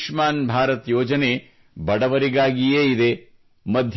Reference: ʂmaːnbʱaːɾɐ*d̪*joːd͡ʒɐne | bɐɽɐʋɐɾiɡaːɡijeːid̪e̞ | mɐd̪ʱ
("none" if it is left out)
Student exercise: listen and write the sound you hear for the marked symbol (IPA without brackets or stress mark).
t̪